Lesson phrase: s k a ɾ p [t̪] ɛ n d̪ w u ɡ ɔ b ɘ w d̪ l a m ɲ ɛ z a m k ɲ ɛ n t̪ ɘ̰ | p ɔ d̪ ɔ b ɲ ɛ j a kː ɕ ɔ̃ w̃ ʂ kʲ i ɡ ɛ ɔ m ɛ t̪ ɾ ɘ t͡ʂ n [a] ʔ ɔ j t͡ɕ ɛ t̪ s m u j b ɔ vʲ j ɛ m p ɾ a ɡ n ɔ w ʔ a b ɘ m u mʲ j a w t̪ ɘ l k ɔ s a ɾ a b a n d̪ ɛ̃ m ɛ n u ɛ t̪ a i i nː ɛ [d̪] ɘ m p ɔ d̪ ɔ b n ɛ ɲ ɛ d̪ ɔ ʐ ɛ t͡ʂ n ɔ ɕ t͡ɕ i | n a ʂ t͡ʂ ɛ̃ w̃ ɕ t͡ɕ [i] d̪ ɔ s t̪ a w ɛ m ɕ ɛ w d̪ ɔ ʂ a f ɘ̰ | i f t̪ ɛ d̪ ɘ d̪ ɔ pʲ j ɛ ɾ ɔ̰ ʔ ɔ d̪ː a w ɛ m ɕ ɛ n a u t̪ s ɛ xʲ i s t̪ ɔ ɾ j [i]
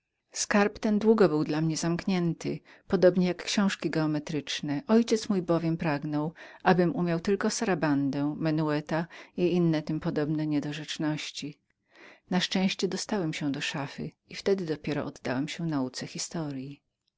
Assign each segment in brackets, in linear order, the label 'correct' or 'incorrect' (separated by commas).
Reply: correct, incorrect, incorrect, incorrect, correct